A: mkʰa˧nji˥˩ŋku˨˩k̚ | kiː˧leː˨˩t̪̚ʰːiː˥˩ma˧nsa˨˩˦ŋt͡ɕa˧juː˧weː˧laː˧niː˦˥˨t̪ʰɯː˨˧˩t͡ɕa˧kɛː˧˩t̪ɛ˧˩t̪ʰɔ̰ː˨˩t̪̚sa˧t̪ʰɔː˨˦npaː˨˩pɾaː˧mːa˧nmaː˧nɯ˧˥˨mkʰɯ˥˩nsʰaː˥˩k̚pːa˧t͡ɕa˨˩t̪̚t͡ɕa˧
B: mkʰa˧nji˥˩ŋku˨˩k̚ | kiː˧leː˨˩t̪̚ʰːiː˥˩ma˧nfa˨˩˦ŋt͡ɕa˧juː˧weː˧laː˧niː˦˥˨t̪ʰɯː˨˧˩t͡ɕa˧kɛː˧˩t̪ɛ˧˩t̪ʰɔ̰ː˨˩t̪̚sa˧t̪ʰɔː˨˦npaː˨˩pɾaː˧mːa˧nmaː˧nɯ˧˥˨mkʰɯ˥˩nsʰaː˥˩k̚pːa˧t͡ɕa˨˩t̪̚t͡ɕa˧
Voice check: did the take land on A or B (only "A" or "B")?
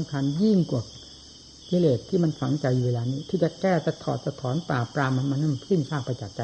B